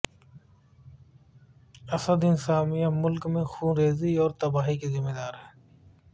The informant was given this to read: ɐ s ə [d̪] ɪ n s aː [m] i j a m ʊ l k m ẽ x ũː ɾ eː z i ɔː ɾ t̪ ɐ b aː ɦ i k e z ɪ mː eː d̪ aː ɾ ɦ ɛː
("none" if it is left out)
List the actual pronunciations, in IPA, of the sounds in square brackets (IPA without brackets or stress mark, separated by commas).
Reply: d̪, m